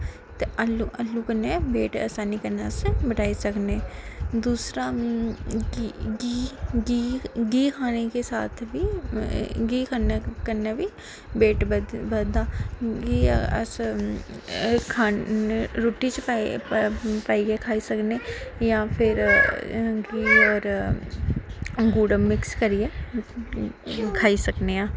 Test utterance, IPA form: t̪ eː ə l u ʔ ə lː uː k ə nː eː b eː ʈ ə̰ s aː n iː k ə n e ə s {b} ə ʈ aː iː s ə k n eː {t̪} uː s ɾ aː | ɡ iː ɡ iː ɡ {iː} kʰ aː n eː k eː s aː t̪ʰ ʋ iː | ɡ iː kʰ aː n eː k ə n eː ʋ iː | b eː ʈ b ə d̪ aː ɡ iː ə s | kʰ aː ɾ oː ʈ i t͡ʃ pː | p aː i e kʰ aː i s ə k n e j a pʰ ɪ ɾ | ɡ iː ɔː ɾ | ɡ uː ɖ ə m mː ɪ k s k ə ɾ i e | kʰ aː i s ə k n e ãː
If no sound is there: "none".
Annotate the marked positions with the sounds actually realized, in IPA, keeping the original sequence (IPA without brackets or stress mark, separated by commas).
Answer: b, d̪, iː